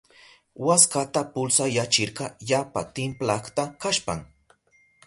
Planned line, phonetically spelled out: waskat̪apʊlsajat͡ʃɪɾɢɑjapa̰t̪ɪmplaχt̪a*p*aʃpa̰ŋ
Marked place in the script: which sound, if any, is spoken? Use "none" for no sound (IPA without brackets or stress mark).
k